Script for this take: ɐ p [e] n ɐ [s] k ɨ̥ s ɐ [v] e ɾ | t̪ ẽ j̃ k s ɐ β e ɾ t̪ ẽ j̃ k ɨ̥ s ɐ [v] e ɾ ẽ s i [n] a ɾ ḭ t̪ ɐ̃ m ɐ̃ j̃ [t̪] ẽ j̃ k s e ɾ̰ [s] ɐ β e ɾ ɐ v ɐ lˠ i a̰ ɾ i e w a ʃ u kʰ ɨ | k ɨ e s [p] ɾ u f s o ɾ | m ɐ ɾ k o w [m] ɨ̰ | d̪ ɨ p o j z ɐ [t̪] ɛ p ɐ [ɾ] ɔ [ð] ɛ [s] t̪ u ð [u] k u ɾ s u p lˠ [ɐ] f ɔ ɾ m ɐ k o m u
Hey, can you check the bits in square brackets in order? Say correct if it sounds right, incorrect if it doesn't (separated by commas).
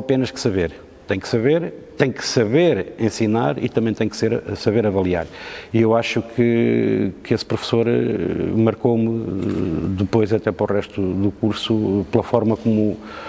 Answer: correct, incorrect, incorrect, incorrect, correct, correct, correct, correct, correct, correct, correct, incorrect, incorrect, correct, correct